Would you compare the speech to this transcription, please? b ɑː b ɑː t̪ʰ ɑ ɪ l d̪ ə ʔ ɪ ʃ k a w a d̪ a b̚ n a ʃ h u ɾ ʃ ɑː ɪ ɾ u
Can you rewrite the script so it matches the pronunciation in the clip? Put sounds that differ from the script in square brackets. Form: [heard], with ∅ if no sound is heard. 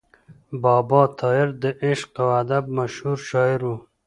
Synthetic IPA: b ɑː b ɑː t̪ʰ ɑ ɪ [ɾ] d̪ ə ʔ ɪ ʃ [q] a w a d̪ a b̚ [m] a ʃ h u ɾ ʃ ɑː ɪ ɾ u